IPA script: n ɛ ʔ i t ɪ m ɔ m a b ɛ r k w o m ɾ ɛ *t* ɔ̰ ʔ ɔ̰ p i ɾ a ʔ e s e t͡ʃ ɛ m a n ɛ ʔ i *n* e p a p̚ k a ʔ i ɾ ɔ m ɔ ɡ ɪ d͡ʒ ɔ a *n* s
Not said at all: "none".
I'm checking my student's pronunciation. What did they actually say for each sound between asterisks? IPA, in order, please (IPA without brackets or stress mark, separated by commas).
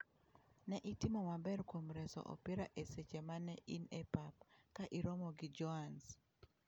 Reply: s, n, n